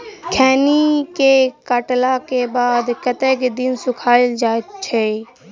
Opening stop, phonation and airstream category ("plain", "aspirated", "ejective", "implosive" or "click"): aspirated